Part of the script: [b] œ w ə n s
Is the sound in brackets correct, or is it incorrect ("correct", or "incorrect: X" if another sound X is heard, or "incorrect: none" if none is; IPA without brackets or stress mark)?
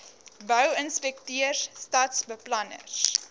correct